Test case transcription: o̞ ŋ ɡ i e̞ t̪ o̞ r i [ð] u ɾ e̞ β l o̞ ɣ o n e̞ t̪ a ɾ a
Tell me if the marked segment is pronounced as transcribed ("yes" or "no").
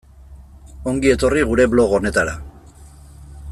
no